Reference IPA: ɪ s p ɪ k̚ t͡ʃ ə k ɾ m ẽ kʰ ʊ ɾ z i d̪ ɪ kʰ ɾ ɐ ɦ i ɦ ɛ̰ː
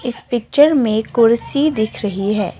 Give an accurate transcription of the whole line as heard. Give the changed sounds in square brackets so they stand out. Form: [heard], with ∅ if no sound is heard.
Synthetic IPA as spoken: ɪ s p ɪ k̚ t͡ʃ ə [∅] ɾ m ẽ [k] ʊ ɾ [s] i d̪ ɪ kʰ ɾ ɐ ɦ i ɦ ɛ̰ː